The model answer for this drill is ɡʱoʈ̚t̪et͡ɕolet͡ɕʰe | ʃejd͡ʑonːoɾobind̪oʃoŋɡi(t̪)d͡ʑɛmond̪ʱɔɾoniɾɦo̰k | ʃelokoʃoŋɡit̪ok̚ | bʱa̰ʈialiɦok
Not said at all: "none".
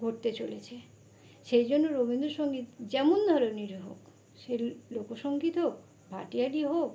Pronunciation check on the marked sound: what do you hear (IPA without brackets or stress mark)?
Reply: t̪